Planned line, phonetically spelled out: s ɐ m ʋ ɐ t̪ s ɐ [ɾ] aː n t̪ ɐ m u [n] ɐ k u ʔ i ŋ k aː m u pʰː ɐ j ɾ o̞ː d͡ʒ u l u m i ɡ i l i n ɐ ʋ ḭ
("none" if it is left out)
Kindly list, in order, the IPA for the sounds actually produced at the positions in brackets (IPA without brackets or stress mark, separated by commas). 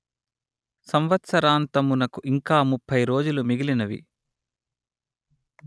ɾ, n